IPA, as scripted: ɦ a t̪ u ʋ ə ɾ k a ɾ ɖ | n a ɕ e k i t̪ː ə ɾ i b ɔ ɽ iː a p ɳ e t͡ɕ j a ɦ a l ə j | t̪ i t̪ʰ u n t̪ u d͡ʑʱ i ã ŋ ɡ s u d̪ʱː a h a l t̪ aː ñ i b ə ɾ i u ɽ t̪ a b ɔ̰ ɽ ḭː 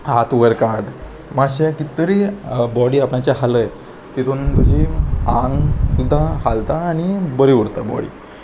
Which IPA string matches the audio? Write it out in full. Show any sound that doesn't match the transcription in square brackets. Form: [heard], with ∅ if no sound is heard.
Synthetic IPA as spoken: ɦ a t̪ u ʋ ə ɾ k a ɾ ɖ | [m] a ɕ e k i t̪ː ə ɾ i b ɔ ɽ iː a p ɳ [a] t͡ɕ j a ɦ a l ə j | t̪ i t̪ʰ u n t̪ u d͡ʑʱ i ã ŋ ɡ s u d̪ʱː a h a l t̪ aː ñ i b ə ɾ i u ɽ t̪ a b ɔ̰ ɽ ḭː